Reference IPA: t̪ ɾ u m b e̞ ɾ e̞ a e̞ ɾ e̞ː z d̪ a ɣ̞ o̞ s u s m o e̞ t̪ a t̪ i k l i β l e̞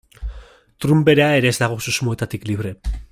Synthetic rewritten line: t̪ ɾ u m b e̞ ɾ e̞ a e̞ ɾ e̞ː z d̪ a ɣ̞ o̞ s u s m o e̞ t̪ a t̪ i k l i β ɾ e̞